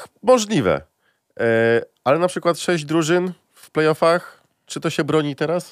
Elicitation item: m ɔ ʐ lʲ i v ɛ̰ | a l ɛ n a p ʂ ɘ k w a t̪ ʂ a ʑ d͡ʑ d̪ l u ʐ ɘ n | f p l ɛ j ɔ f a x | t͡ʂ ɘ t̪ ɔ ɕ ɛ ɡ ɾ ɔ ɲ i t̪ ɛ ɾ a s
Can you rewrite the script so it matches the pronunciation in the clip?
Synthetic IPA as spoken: m ɔ ʐ lʲ i v ɛ̰ | a l ɛ n a p ʂ ɘ k w a t̪ ʂ ɛ ʑ d͡ʑ d̪ ɾ u ʐ ɘ n | f p l ɛ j ɔ f a x | t͡ʂ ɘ t̪ ɔ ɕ ɛ b ɾ ɔ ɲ i t̪ ɛ ɾ a s